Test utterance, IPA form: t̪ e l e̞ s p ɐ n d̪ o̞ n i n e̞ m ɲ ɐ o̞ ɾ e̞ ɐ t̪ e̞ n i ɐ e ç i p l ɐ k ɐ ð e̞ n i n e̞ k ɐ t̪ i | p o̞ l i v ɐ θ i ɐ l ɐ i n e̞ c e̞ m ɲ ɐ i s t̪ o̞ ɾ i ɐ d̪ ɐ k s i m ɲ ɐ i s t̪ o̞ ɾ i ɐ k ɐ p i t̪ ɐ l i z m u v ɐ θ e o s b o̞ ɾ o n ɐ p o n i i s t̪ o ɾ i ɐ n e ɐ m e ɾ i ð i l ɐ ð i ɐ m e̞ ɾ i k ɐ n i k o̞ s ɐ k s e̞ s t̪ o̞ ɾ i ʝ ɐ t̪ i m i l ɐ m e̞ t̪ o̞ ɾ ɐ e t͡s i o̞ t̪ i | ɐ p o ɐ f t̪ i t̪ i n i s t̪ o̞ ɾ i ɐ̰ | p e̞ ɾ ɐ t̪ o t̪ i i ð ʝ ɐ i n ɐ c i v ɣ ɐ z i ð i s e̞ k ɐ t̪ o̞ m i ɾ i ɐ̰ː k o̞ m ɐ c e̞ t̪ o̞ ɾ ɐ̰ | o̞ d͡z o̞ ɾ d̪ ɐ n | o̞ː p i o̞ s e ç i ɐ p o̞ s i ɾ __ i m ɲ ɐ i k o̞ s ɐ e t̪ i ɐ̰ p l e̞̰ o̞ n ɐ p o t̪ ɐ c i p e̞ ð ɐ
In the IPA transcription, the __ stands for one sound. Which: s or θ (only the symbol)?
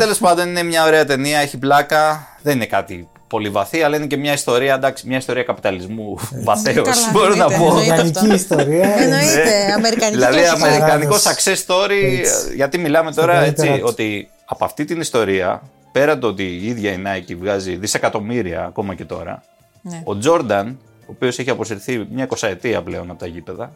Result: θ